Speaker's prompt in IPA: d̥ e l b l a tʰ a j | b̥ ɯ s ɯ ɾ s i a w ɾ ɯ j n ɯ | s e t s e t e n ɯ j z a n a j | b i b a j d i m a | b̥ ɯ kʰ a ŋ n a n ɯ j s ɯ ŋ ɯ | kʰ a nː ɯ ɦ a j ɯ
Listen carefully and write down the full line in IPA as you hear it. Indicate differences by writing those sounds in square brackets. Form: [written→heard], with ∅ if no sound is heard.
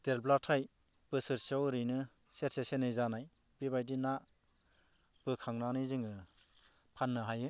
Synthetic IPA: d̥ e l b l a tʰ a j | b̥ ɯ s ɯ ɾ s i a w ɾ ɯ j n ɯ | s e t s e [t→s] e n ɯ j z a n a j | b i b a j d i [m→n] a | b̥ ɯ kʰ a ŋ n a n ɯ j [s→z] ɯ ŋ ɯ | [kʰ→pʰ] a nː ɯ ɦ a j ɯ